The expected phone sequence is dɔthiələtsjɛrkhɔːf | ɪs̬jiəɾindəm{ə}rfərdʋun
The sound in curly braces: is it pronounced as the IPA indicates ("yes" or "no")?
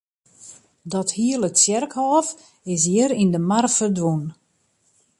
no